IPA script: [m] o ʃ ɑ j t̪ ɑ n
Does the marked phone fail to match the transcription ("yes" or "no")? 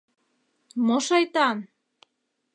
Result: no